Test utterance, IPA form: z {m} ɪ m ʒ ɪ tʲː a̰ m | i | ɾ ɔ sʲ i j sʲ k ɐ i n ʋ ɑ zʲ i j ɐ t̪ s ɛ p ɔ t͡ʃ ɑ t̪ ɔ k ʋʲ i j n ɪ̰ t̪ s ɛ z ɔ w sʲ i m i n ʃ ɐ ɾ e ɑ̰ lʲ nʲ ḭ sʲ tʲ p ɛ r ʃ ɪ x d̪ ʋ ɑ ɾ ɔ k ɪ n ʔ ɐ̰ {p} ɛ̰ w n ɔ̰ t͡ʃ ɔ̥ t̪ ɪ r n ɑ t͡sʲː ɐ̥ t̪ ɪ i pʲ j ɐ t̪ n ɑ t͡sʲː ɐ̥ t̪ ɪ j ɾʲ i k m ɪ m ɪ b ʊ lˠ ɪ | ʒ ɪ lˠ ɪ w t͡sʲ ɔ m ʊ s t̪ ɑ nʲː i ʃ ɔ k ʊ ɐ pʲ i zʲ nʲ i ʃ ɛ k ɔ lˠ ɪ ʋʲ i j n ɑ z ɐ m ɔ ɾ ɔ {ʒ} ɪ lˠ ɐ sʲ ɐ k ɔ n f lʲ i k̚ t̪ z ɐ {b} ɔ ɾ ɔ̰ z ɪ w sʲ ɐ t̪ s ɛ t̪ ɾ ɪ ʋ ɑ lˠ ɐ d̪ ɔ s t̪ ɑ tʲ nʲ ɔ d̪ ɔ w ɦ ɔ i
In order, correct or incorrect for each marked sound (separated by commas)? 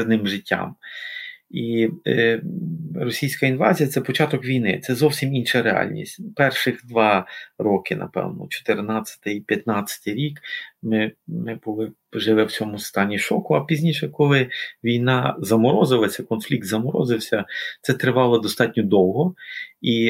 incorrect, correct, incorrect, incorrect